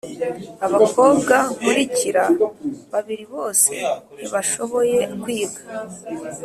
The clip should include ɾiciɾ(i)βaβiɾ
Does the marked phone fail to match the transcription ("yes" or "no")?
yes